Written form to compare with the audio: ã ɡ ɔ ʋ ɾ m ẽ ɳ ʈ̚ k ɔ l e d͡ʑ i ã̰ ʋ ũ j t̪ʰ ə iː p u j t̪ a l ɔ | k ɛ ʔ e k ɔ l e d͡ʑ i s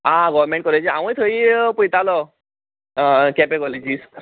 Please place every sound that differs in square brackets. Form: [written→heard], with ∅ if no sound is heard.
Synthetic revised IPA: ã ɡ ɔ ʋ ɾ m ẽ ɳ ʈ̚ k ɔ l e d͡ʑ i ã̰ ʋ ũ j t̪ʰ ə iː p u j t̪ a l ɔ | k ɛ [ʔ→p] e k ɔ l e d͡ʑ i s